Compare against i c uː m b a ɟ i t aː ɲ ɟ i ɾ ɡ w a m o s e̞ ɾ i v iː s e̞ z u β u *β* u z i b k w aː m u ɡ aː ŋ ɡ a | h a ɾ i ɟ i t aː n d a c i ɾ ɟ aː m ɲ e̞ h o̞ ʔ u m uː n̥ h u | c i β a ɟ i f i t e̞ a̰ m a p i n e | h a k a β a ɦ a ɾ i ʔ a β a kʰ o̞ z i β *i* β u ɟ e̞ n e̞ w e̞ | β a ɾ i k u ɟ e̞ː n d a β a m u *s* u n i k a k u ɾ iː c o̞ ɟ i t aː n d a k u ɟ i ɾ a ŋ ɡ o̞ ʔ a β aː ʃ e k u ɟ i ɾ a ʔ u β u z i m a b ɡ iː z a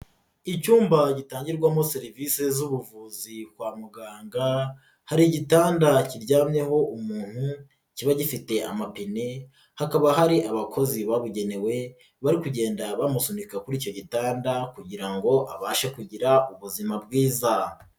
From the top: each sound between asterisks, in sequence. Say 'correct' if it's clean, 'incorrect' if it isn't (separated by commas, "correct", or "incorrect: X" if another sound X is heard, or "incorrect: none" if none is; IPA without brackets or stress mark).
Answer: incorrect: v, incorrect: a, correct